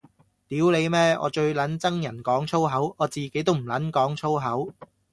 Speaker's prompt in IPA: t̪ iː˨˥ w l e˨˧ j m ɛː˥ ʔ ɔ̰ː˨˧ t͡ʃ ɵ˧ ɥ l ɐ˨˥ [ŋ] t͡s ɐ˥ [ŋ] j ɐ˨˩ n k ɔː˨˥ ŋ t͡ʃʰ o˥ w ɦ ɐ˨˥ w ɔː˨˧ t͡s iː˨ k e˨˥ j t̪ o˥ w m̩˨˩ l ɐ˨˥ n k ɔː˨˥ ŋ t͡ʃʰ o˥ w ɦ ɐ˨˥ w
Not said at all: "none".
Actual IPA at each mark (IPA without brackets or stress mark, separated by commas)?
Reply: n, ŋ